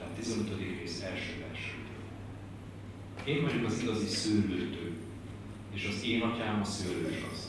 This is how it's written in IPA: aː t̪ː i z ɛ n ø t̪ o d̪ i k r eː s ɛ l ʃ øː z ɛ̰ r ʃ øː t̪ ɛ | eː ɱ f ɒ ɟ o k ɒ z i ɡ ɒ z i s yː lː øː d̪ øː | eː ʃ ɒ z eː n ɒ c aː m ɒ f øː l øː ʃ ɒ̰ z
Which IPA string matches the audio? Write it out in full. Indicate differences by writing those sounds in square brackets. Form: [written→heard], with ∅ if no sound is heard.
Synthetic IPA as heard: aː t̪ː i z ɛ n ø t̪ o d̪ i k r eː s ɛ l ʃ øː [z→v] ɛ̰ r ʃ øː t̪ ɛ | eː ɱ [f→v] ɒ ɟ o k ɒ z i ɡ ɒ z i s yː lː øː [d̪→t̪] øː | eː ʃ ɒ z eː n ɒ c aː m ɒ [f→s] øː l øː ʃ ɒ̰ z